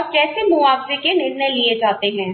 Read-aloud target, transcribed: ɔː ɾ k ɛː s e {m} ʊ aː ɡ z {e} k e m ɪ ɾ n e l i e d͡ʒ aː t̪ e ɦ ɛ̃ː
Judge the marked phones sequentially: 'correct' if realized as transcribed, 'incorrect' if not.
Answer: correct, correct

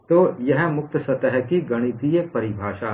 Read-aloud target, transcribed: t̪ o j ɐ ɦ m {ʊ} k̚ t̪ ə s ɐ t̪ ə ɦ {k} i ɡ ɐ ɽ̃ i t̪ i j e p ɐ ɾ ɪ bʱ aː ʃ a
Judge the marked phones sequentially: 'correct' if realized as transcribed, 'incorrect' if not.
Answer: correct, correct

